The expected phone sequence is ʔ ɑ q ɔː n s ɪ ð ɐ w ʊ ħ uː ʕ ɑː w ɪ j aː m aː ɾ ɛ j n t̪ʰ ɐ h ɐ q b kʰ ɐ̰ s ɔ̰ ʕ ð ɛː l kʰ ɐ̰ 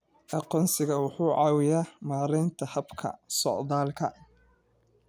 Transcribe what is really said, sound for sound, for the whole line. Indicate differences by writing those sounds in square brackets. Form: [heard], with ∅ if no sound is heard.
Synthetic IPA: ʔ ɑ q ɔː n s ɪ [ɣ] ɐ w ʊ ħ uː ʕ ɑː w ɪ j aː m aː ɾ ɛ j n t̪ʰ ɐ h ɐ [∅] b kʰ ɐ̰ s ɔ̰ ʕ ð [aː] l kʰ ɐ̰